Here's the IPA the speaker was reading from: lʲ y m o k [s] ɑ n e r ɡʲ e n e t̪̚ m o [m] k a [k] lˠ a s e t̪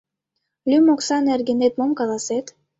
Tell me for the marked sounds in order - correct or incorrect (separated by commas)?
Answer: correct, correct, incorrect